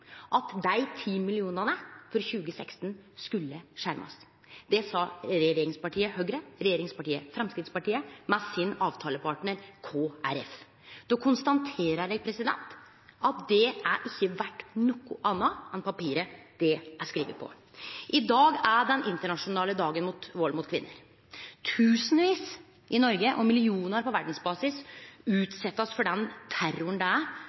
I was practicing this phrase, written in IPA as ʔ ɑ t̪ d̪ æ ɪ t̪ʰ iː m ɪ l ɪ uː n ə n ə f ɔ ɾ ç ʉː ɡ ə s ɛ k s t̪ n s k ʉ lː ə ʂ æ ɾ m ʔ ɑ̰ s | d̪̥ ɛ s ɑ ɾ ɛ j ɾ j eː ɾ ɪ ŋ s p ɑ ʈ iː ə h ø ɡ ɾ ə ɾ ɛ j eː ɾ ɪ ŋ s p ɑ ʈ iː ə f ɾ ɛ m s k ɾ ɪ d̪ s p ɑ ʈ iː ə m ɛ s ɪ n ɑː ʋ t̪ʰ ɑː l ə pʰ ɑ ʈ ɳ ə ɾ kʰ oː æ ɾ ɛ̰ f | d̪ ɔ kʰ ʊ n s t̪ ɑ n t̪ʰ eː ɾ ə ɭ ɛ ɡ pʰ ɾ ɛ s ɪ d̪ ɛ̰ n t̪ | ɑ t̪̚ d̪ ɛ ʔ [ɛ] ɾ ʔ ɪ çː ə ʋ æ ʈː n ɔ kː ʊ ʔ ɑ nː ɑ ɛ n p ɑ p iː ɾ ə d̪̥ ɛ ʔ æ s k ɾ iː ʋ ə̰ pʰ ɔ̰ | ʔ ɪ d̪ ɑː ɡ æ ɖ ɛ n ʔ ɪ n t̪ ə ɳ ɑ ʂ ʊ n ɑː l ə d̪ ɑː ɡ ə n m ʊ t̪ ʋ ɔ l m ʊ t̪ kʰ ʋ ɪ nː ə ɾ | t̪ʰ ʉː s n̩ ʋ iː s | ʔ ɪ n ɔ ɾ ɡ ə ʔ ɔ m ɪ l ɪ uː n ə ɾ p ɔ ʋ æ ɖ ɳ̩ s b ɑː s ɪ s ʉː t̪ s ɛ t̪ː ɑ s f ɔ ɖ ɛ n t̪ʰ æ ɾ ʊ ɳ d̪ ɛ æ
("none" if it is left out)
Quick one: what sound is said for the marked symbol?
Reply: æ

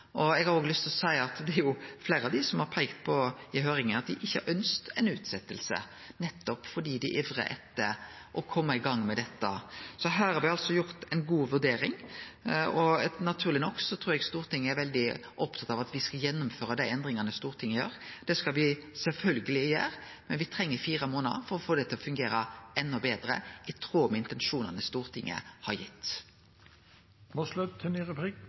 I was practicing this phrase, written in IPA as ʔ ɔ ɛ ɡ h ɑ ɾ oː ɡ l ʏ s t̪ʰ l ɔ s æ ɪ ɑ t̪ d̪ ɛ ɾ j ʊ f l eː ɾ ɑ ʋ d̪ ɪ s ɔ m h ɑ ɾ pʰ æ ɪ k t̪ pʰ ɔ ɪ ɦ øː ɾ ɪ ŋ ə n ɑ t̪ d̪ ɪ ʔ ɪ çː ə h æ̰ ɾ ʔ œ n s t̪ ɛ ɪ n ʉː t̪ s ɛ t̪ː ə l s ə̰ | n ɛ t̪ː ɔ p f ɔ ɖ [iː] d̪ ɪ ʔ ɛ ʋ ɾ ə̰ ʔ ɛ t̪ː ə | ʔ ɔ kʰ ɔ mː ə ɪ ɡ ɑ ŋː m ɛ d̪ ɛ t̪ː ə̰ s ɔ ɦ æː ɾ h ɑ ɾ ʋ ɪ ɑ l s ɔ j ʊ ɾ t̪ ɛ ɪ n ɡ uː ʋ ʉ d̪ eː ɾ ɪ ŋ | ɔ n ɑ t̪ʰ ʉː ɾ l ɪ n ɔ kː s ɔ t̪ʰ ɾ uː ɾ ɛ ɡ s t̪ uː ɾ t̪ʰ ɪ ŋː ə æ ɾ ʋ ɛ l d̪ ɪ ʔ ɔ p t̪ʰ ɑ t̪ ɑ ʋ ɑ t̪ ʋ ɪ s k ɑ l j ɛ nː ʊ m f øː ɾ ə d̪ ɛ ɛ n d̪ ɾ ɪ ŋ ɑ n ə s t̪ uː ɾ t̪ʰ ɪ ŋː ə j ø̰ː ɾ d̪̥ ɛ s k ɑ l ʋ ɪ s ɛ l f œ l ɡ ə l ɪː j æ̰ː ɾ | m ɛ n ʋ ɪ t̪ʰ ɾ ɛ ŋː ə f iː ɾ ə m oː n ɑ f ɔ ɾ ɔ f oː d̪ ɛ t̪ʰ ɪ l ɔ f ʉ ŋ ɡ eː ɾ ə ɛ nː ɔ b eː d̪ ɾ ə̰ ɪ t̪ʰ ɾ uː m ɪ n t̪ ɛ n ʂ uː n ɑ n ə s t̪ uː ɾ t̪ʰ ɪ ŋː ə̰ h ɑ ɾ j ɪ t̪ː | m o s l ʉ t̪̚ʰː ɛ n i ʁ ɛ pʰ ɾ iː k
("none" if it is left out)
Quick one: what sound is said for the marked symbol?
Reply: iː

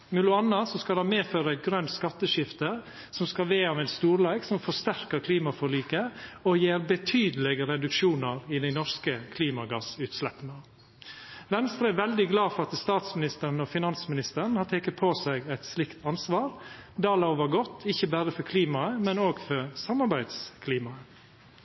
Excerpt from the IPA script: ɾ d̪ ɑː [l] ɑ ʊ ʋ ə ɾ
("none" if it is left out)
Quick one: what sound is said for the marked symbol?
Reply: l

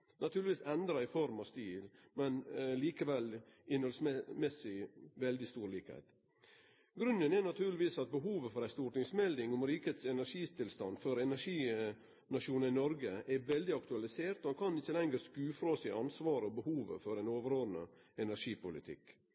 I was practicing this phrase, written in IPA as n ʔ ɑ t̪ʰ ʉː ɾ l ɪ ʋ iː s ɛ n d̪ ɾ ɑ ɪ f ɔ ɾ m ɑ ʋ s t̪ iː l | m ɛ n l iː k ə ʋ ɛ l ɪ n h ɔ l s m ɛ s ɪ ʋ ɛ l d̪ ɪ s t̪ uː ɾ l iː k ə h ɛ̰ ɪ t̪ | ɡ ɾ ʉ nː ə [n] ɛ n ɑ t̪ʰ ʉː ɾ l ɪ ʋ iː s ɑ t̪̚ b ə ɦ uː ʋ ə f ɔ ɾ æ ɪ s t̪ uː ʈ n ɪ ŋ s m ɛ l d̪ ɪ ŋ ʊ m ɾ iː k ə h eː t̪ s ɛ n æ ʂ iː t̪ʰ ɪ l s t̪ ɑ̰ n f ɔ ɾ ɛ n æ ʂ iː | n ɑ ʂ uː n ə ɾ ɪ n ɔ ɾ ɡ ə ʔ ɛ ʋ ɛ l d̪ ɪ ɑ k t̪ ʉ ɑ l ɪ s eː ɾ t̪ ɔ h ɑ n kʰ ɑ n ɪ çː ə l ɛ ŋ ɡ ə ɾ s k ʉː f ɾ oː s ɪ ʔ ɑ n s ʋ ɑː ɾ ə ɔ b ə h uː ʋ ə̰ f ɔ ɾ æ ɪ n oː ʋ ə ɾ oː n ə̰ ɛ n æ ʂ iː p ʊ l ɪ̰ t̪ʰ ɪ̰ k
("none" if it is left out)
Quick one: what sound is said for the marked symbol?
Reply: n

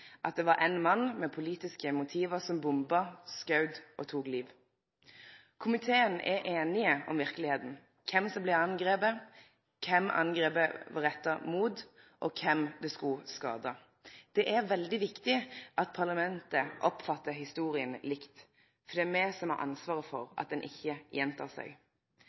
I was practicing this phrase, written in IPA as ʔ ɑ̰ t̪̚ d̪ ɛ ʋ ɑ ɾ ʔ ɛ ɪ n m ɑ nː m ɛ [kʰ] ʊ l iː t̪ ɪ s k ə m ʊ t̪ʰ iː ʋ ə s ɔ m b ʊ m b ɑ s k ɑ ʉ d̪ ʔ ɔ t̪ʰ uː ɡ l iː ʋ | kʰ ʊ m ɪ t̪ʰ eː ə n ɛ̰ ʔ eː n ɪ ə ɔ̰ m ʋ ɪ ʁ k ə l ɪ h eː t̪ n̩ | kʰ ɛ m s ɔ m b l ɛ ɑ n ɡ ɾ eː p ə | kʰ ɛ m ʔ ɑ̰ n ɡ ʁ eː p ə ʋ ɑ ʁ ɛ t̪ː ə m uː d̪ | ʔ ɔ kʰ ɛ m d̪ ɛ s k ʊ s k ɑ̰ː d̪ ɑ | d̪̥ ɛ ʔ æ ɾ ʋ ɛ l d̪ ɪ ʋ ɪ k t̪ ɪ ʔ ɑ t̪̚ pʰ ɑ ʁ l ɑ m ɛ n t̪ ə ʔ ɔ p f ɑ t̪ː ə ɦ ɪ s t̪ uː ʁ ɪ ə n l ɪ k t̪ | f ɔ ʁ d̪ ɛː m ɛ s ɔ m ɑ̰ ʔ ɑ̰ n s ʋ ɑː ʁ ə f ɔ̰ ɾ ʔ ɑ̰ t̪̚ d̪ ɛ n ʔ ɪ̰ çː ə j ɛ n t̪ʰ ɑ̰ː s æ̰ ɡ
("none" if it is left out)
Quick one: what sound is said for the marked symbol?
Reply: pʰ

